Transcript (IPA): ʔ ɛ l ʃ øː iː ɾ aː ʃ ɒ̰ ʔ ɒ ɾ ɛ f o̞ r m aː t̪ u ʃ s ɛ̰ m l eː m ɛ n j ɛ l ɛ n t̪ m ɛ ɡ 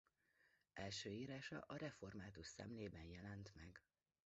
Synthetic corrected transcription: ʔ ɛ l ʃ øː iː ɾ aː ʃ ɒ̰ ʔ ɒ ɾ ɛ f o̞ r m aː t̪ u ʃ s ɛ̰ m l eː b ɛ n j ɛ l ɛ n t̪ m ɛ ɡ